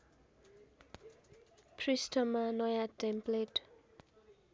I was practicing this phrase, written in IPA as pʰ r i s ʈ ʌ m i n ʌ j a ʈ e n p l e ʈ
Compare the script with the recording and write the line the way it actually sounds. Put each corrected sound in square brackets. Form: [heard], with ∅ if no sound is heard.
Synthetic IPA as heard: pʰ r i s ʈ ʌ m [a] n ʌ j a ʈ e [m] p l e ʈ